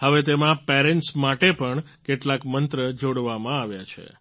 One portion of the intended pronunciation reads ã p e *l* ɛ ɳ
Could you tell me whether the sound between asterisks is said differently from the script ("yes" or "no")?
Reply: yes